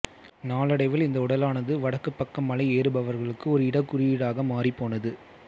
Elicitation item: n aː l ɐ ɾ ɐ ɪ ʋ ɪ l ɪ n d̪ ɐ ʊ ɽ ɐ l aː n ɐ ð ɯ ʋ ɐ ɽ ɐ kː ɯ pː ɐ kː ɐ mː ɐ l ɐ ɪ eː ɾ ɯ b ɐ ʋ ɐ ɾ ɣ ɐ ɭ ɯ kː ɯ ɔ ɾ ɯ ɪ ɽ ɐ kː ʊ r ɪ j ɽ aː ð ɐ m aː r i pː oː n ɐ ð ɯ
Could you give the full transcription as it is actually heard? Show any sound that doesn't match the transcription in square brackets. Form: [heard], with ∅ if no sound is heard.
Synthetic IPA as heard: n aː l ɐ [ɽ] ɐ ɪ ʋ ɪ l ɪ n d̪ ɐ ʊ ɽ ɐ l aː n ɐ ð ɯ ʋ ɐ ɽ ɐ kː ɯ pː ɐ kː ɐ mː ɐ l ɐ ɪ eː ɾ ɯ b ɐ ʋ ɐ ɾ ɣ ɐ ɭ ɯ kː ɯ ɔ ɾ ɯ ɪ ɽ ɐ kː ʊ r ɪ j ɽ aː [ɣ] ɐ m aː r i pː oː n ɐ ð ɯ